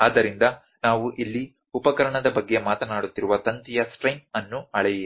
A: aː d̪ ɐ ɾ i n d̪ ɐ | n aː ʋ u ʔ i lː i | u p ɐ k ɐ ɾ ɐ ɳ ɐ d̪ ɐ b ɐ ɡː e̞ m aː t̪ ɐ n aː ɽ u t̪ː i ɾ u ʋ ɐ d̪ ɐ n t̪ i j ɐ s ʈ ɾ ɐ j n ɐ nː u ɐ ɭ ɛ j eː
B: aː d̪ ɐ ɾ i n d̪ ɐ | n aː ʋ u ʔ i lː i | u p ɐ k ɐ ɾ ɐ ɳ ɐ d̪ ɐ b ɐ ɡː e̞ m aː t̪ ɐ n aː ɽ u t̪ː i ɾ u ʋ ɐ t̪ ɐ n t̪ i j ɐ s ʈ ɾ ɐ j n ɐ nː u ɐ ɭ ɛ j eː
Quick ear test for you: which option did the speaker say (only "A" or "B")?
B